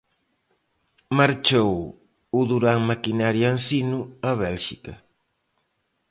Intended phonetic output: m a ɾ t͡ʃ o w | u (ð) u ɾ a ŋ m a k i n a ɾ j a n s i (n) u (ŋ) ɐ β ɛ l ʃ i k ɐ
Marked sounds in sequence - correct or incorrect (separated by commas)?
correct, correct, incorrect